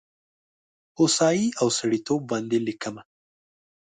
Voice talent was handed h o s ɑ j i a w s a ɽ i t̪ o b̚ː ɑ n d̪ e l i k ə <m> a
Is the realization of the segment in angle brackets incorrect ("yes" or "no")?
no